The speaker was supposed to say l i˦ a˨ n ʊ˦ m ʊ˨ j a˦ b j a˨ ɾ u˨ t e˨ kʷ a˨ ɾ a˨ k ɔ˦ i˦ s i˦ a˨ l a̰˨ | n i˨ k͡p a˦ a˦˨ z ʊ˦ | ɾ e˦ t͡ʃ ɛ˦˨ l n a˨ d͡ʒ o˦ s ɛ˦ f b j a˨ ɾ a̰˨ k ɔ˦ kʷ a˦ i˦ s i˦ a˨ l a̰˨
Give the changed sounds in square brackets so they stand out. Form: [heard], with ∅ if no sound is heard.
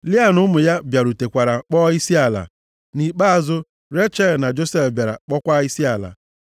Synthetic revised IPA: l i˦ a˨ n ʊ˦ m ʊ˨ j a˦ b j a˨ ɾ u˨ t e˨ kʷ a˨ ɾ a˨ [k͡p] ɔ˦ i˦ s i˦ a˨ l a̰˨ | n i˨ k͡p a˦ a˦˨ z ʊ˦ | ɾ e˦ t͡ʃ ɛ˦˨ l n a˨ d͡ʒ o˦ s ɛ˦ f b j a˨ ɾ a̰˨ [k͡p] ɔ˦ kʷ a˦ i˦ s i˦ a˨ l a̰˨